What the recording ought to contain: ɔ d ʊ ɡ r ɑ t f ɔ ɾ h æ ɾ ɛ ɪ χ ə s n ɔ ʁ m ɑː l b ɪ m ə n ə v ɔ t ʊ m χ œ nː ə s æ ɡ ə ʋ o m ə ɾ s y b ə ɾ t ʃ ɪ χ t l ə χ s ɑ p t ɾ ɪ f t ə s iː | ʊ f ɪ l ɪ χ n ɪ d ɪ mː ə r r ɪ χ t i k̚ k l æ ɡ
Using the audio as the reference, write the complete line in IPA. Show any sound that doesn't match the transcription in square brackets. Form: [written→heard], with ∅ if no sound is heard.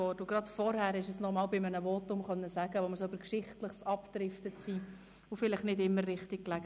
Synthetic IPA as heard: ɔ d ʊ ɡ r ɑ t f ɔ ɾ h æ ɾ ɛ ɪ [χ→ʃ] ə s n ɔ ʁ m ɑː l b ɪ m ə n ə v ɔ t ʊ m χ œ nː ə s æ ɡ ə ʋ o m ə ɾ s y b ə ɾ [t→k] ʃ ɪ χ t l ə χ s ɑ p t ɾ ɪ f t ə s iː | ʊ f ɪ l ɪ χ n ɪ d ɪ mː ə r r ɪ χ t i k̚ k l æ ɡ